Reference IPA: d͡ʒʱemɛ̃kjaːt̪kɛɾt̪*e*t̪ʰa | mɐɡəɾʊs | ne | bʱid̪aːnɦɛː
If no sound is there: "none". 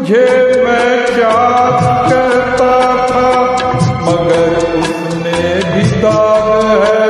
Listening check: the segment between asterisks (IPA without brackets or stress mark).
a